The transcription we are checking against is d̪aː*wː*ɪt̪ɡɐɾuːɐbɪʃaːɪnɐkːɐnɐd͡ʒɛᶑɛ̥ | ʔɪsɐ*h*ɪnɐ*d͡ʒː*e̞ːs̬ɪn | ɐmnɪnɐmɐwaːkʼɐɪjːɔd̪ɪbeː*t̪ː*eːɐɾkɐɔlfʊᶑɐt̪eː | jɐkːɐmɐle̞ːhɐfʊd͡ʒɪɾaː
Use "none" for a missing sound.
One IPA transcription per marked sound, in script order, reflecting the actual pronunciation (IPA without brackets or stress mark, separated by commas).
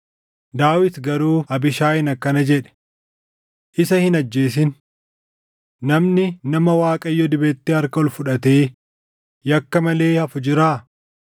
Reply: w, h, d͡ʒː, t̪ː